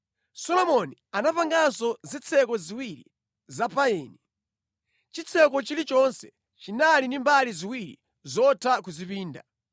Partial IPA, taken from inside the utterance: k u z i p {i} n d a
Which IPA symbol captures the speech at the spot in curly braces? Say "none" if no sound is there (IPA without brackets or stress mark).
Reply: iː